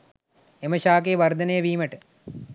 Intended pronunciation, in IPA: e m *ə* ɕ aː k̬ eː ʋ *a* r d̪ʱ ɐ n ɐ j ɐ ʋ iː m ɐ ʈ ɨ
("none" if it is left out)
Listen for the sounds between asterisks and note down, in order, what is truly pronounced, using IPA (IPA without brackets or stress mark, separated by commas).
ɐ, ɐ